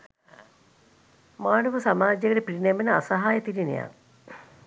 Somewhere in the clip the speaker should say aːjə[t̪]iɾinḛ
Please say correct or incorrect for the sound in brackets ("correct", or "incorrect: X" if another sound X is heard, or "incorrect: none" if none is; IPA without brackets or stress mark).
correct